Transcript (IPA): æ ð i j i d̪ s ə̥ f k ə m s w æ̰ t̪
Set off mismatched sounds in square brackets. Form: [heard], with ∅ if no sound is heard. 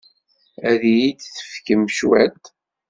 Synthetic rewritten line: æ ð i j i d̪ [θ] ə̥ f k ə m [ʃ] w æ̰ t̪